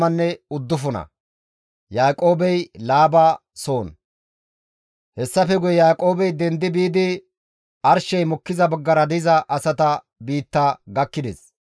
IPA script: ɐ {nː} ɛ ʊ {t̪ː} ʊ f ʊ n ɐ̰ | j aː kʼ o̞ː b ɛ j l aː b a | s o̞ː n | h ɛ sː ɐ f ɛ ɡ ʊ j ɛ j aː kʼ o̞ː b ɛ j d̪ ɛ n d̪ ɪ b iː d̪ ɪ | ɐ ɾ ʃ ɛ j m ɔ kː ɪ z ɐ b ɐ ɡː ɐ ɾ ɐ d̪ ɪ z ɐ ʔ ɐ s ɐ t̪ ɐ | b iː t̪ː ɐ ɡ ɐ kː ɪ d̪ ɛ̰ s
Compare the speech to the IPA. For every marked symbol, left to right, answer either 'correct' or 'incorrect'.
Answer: correct, incorrect

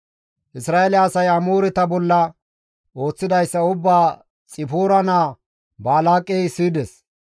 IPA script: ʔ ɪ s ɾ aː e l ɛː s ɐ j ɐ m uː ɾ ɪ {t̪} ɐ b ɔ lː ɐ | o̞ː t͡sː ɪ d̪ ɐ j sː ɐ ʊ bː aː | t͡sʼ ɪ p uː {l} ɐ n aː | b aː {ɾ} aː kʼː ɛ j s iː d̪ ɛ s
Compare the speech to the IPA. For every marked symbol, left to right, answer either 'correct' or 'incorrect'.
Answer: correct, incorrect, incorrect

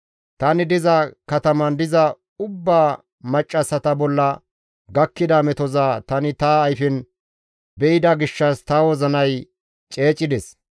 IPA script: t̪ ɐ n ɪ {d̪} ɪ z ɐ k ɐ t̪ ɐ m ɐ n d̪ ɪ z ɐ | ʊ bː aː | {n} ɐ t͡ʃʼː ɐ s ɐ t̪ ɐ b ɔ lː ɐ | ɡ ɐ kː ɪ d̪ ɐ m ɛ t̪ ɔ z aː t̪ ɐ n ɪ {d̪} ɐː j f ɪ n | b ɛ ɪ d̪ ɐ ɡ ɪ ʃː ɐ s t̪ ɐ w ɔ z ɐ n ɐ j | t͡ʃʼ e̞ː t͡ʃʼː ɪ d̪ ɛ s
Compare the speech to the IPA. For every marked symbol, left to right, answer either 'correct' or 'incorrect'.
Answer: correct, incorrect, incorrect

